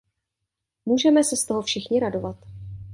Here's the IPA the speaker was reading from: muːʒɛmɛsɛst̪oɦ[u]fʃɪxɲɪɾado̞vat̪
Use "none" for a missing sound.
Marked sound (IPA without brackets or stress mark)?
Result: o